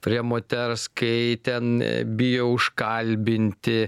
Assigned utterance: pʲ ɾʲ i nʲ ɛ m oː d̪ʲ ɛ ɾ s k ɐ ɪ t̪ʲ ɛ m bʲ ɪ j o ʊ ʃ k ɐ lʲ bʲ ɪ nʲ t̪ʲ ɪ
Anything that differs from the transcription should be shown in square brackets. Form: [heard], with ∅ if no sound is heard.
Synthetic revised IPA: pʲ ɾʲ i [∅] ɛ m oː [t̪ʲ] ɛ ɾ s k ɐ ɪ t̪ʲ ɛ [n] bʲ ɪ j o ʊ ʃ k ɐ lʲ bʲ ɪ nʲ t̪ʲ ɪ